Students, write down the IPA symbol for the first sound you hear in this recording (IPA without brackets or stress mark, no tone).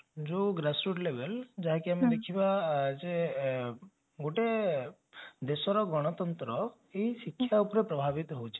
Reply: d͡ʒ